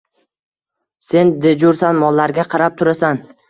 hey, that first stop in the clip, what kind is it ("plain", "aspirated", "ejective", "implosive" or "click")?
plain